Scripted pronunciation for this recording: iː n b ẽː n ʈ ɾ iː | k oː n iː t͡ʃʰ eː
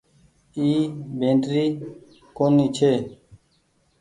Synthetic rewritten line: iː b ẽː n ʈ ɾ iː | k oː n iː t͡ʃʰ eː